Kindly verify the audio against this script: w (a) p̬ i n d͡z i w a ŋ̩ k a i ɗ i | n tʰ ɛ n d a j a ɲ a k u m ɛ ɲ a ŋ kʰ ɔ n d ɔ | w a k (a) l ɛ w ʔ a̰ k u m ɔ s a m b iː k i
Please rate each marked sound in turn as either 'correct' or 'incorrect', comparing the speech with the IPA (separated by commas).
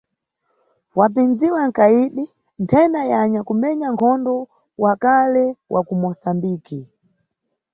correct, correct